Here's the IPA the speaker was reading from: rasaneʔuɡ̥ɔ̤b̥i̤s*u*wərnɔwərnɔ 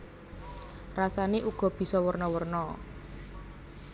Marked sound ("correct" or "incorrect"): incorrect